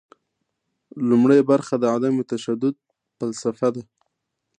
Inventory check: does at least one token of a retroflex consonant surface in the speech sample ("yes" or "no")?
yes